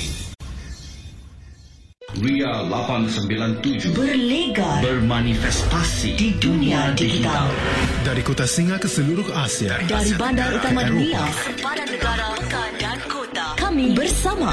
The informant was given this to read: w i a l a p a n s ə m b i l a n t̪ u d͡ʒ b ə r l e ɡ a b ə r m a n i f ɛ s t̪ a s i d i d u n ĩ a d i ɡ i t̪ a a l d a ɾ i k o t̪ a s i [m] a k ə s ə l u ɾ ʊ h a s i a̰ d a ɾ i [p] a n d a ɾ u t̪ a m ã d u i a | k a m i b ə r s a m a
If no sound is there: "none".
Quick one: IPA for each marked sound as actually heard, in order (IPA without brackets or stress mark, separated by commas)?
ŋ, b